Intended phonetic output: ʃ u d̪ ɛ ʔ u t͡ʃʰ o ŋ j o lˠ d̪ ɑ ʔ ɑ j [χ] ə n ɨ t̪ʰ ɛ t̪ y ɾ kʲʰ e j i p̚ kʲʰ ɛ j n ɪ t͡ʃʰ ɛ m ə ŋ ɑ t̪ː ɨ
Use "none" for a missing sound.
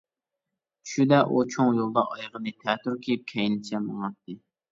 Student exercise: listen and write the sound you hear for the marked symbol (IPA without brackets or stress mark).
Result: ʁ